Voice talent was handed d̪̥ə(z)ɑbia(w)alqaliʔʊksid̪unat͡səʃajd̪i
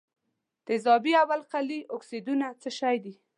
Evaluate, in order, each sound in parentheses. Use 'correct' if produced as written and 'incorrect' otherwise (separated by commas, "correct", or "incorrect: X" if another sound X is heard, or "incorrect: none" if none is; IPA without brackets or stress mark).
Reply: correct, correct